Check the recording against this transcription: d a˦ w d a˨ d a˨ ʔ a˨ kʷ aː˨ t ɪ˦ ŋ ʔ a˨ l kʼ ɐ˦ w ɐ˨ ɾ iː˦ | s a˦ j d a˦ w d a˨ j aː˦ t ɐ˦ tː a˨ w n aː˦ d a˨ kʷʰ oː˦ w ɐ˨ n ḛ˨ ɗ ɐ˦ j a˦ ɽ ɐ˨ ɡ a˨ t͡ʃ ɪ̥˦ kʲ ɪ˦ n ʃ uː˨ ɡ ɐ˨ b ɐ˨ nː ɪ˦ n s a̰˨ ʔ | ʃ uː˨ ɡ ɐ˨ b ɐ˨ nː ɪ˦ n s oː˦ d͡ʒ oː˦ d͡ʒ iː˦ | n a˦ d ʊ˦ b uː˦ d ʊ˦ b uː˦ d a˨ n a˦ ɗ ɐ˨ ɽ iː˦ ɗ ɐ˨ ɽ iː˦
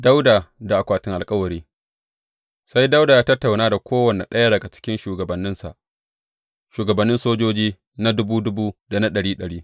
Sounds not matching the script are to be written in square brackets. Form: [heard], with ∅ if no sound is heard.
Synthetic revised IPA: d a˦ w d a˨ d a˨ ʔ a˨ kʷ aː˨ t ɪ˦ ŋ ʔ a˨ l kʼ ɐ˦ w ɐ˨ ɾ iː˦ | s a˦ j d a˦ w d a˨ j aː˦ t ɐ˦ tː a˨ w n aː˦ d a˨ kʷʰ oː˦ w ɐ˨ n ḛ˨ ɗ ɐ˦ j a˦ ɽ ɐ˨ ɡ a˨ t͡ʃ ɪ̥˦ kʲ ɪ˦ n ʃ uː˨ ɡ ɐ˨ b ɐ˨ nː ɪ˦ n s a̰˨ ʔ | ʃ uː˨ ɡ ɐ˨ b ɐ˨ nː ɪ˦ n s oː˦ d͡ʒ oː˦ d͡ʒ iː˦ | n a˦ d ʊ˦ b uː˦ d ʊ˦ b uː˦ d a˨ n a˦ ɗ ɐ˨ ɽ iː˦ ɗ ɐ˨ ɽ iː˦

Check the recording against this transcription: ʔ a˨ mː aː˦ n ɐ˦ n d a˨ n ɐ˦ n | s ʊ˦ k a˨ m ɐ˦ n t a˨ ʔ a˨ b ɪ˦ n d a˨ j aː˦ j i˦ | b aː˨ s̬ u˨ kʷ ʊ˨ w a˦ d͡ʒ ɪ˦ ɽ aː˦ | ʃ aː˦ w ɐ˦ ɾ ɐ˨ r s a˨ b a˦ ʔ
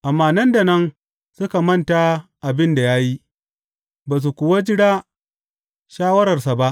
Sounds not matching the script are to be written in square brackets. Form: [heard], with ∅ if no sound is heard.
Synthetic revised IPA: ʔ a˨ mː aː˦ n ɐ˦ n d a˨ n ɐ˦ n | s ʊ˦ k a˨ m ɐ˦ n t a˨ ʔ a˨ b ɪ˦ n d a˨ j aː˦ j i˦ | b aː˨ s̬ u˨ kʷ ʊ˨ w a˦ d͡ʒ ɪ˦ ɽ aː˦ | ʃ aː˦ w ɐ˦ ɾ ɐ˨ r s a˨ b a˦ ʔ

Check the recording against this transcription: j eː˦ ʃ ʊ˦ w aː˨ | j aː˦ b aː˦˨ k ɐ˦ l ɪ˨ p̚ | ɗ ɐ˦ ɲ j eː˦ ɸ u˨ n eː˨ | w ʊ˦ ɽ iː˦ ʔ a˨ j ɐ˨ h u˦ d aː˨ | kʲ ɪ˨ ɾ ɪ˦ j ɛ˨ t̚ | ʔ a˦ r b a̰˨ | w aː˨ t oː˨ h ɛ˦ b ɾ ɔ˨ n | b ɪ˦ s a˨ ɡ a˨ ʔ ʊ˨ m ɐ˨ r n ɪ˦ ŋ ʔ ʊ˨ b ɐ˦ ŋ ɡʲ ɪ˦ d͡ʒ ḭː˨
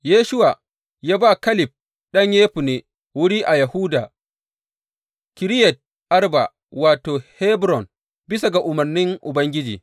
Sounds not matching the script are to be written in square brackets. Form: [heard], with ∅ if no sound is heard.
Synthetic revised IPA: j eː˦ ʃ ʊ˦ w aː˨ | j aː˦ b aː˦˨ k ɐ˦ l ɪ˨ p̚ | ɗ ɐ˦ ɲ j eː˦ ɸ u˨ n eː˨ | w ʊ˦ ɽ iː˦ ʔ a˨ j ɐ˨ h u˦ d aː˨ | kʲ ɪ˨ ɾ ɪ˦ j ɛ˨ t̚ | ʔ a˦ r b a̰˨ | w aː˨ t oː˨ h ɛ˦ b ɾ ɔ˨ n | b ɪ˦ s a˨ ɡ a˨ ʔ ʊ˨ m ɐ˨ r n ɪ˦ ŋ ʔ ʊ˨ b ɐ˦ ŋ ɡʲ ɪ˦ d͡ʒ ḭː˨

